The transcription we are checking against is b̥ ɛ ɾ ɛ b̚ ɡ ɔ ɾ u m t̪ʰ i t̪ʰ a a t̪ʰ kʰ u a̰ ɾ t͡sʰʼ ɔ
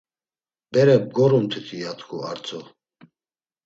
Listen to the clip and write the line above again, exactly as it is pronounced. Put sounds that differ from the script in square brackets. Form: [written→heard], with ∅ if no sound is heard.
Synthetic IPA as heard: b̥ ɛ ɾ ɛ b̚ ɡ ɔ ɾ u m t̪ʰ i t̪ʰ [a→i] a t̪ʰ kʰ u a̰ ɾ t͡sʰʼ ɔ